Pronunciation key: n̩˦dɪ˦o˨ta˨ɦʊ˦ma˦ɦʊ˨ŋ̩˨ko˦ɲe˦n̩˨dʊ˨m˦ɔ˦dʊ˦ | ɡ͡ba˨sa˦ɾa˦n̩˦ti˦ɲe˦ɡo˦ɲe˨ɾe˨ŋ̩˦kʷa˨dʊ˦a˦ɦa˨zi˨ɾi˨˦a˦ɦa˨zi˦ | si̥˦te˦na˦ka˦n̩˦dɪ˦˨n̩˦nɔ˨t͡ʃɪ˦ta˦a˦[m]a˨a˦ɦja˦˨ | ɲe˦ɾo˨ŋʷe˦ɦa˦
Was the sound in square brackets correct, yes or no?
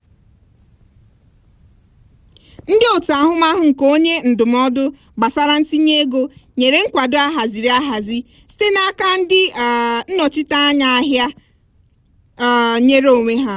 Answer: no